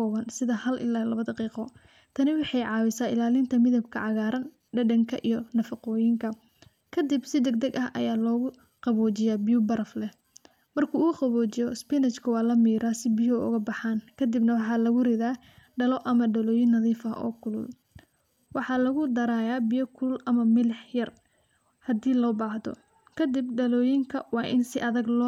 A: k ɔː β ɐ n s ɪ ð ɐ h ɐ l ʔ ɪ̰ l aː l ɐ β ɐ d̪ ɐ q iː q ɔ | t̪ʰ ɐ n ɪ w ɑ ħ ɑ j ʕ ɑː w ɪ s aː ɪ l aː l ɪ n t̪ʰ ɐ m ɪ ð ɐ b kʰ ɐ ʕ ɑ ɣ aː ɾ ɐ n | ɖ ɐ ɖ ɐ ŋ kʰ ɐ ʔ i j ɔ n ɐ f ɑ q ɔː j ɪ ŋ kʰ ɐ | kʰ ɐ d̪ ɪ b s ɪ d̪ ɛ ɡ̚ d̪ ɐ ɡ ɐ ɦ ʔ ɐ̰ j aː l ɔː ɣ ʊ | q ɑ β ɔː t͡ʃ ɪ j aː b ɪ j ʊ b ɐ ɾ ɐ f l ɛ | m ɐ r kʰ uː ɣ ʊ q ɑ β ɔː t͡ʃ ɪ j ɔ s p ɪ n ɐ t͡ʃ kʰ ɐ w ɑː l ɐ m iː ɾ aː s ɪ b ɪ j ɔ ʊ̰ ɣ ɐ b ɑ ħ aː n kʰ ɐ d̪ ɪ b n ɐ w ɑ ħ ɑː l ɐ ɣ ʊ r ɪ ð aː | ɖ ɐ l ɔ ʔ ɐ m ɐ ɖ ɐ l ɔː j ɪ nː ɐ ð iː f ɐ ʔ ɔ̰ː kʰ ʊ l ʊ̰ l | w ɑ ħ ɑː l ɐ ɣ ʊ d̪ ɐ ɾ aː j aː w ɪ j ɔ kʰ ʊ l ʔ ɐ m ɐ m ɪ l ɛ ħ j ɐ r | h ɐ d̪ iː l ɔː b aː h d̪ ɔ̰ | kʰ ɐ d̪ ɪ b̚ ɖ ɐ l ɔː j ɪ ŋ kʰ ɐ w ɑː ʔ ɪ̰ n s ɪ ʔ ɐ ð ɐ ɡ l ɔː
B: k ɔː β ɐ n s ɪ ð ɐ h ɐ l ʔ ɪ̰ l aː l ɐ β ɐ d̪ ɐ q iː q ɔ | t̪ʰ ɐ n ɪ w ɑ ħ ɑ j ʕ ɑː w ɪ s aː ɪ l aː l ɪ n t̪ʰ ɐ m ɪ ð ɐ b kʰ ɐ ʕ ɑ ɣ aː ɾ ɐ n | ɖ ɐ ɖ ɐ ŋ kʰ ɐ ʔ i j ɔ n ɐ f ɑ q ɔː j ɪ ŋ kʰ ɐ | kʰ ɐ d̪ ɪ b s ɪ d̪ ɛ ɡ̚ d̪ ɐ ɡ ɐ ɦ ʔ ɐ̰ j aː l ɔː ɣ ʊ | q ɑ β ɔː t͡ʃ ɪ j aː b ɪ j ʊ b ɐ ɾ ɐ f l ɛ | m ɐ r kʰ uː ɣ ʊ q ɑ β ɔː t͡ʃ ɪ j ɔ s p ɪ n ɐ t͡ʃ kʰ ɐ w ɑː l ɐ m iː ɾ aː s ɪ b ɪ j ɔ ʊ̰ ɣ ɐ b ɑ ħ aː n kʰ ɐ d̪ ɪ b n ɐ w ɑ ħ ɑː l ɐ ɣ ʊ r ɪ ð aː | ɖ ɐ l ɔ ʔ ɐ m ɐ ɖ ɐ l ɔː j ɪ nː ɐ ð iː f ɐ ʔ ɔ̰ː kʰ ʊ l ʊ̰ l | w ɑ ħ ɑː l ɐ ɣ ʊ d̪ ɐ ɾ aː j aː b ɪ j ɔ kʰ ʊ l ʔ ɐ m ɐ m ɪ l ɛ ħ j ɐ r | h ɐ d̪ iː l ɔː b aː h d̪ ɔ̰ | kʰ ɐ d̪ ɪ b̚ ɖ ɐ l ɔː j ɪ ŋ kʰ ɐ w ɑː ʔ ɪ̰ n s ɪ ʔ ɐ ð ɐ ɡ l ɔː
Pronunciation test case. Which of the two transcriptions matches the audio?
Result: B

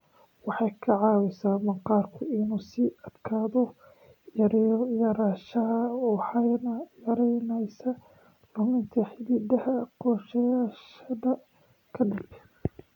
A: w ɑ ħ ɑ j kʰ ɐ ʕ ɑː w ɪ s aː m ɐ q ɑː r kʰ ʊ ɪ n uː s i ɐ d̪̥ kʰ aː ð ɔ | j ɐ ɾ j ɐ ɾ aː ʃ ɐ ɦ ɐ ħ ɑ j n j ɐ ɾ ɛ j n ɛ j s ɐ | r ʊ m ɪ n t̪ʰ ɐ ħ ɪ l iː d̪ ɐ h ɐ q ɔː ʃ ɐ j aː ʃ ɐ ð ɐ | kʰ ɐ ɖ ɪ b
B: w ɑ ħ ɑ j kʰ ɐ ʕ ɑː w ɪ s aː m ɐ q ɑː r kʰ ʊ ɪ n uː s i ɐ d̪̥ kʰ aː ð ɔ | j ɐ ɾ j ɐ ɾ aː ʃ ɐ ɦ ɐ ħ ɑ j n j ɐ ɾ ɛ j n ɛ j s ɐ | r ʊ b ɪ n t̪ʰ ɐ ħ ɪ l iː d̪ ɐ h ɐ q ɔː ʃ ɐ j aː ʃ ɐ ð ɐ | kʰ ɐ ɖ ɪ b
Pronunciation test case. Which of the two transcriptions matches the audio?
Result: A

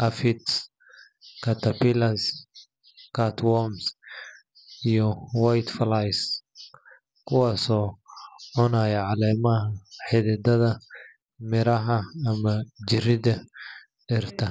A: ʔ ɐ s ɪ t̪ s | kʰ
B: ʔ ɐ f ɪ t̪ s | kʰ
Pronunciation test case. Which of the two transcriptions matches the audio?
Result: B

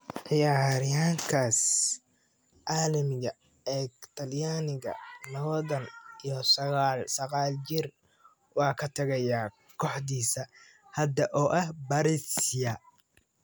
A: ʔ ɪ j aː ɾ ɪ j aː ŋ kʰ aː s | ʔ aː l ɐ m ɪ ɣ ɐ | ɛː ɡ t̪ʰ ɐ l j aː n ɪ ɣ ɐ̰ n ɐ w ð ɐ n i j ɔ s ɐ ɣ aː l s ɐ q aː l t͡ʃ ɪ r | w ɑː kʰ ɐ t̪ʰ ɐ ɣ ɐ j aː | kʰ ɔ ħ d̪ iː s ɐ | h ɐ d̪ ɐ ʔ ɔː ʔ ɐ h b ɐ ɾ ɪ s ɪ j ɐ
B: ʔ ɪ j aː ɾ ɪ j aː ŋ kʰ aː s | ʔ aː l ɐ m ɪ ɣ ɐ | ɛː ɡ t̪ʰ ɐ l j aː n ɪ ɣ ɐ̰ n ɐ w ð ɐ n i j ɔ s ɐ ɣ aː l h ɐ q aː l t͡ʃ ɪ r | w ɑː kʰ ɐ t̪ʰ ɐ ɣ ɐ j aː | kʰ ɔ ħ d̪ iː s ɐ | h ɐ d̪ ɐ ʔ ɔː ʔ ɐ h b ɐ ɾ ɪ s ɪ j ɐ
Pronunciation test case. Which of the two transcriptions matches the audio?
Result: A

